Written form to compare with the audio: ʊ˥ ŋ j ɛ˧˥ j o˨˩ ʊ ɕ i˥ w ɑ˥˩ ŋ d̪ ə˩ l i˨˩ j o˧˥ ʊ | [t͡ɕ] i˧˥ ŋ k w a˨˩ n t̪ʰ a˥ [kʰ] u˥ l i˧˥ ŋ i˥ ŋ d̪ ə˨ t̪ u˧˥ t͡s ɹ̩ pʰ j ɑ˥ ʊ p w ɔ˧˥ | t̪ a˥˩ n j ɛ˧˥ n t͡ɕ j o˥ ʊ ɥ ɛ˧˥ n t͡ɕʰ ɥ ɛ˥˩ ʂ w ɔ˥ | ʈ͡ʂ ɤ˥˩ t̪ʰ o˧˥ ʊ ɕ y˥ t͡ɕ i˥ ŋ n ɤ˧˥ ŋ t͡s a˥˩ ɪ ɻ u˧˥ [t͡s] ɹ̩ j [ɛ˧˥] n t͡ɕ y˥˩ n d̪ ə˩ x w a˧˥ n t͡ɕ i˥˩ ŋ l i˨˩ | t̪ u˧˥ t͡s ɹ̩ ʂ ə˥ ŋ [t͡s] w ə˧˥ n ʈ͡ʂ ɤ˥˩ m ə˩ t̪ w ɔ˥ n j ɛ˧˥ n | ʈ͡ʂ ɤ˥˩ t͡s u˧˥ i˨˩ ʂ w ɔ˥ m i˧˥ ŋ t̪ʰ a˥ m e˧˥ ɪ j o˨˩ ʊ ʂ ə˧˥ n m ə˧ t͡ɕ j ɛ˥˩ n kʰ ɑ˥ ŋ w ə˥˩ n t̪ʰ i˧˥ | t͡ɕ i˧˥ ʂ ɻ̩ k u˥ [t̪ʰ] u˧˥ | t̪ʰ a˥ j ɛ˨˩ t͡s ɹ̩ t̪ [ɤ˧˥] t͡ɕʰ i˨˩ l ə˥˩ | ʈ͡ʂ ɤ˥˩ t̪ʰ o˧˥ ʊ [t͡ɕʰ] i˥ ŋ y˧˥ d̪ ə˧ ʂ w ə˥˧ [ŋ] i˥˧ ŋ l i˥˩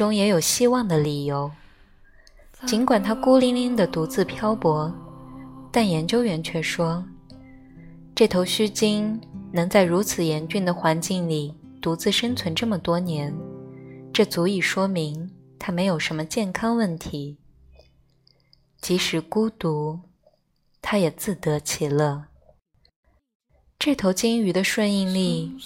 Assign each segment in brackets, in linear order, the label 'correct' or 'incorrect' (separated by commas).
correct, incorrect, incorrect, correct, incorrect, incorrect, correct, incorrect, incorrect